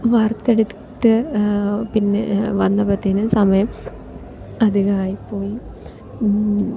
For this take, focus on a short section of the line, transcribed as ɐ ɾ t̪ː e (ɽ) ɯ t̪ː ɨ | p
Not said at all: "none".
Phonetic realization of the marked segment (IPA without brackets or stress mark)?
ɽ